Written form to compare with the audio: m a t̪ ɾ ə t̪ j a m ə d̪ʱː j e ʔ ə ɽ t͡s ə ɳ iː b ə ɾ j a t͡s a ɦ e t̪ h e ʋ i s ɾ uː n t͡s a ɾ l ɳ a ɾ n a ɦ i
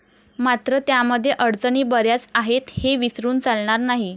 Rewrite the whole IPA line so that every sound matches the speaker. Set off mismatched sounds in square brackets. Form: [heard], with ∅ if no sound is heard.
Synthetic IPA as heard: m a t̪ ɾ ə t̪ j a m ə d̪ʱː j e ʔ ə ɽ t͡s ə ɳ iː b ə ɾ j a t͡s a ɦ e t̪ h e ʋ i s ɾ uː n t͡s a [∅] l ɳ a ɾ n a ɦ i